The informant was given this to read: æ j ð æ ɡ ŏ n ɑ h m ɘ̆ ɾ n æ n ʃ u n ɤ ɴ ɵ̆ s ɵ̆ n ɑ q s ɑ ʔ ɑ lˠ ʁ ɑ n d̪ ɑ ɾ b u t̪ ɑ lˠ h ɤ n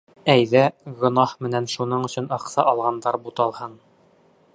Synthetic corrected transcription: æ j ð æ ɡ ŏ n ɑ h m ɘ̆ n æ n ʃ u n ɤ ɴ ɵ̆ s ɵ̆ n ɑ q s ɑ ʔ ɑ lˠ ʁ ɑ n d̪ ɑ ɾ b u t̪ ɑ lˠ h ɤ n

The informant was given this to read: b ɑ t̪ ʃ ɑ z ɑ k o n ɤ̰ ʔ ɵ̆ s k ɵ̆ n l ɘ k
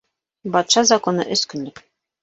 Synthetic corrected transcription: b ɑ t̪ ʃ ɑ z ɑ k o n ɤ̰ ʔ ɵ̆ s k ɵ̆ n l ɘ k

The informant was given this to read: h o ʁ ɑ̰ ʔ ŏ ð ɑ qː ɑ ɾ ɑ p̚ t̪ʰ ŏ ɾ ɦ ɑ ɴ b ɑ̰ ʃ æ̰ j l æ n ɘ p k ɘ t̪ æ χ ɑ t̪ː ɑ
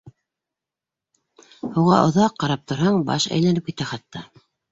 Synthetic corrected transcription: h u ʁ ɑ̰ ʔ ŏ ð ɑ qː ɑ ɾ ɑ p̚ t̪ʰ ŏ ɾ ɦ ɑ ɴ b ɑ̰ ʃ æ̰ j l æ n ɘ p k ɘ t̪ æ χ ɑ t̪ː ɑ

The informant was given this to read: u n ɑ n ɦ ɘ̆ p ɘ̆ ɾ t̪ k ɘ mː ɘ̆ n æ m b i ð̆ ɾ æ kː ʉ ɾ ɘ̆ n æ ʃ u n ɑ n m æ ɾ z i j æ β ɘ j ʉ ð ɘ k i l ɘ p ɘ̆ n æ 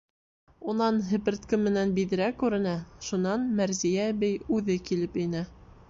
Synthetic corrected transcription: u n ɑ n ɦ ɘ̆ p ɘ̆ ɾ t̪ k ɘ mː ɘ̆ n æ n b i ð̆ ɾ æ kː ʉ ɾ ɘ̆ n æ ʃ u n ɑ n m æ ɾ z i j æ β ɘ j ʉ ð ɘ k i l ɘ p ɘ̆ n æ

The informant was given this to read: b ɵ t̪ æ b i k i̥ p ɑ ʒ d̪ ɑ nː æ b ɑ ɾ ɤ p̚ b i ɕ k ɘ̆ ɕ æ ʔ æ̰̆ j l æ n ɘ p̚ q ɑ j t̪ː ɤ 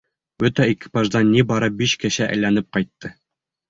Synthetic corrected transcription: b ɵ t̪ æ i k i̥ p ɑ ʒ d̪ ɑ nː i b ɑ ɾ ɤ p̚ b i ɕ k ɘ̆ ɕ æ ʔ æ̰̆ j l æ n ɘ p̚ q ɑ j t̪ː ɤ

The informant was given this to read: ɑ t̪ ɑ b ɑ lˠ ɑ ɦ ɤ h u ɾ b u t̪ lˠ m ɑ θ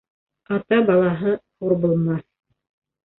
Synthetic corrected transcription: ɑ t̪ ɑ b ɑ lˠ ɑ ɦ ɤ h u ɾ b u lˠ m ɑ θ

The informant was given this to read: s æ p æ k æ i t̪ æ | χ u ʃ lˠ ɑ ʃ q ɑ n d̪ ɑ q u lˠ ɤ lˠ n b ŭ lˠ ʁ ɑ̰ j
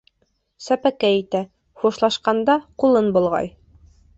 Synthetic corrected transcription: s æ p æ k æ i t̪ æ | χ u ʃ lˠ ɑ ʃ q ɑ n d̪ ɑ q u lˠ ɤ n b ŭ lˠ ʁ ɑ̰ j

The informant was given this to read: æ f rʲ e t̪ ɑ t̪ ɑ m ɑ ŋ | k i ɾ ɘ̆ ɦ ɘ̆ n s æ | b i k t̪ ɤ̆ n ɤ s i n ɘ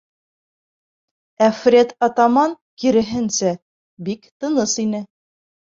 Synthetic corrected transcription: æ f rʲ e t̪ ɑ t̪ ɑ m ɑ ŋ | k i ɾ ɘ̆ ɦ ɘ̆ n s æ | b i k t̪ ɤ̆ n ɤ s i n ɘ

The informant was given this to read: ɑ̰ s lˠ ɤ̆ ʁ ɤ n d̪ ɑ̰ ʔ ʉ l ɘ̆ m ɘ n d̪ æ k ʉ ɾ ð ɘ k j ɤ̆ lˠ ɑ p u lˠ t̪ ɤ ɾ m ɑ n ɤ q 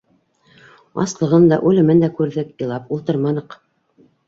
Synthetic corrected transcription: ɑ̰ s lˠ ɤ̆ ʁ ɤ n d̪ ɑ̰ ʔ ʉ l ɘ̆ m ɘ n d̪ æ k ʉ ɾ ð ɘ k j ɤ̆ lˠ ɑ p u lˠ t̪ ɤ ɾ m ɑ n ɤ q

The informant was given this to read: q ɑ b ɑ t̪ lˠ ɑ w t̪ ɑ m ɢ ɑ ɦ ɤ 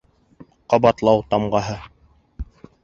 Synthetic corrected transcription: q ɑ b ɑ t̪ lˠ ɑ w t̪ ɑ m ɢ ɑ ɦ ɤ

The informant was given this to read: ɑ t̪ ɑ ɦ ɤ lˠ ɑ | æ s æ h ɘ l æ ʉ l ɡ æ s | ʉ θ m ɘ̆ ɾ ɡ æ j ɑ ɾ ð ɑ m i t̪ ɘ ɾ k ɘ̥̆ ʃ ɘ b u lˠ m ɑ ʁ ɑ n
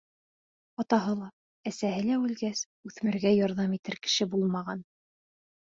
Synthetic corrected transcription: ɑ t̪ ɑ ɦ ɤ lˠ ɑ | æ s æ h ɘ l æ ʉ l ɡ æ s | ʉ θ m ɘ̆ ɾ ɡ æ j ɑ ɾ ð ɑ m i t̪ ɘ ɾ k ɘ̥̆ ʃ ɘ b u lˠ m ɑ ʁ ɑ n

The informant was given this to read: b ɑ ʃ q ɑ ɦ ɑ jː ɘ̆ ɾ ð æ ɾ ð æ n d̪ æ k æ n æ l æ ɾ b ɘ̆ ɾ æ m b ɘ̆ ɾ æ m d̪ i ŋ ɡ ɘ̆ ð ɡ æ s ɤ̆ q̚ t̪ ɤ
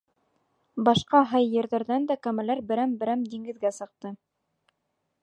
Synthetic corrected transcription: b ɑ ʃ q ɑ ɦ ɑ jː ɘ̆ ɾ ð æ ɾ ð æ n d̪ æ k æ m æ l æ ɾ b ɘ̆ ɾ æ m b ɘ̆ ɾ æ m d̪ i ŋ ɡ ɘ̆ ð ɡ æ s ɤ̆ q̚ t̪ ɤ

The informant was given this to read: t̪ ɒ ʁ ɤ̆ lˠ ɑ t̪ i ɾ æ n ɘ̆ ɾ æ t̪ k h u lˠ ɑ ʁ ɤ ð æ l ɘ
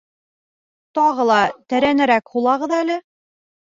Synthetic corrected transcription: t̪ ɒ ʁ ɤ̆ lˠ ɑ t̪ æ ɾ æ n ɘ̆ ɾ æ k h u lˠ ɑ ʁ ɤ ð æ l ɘ

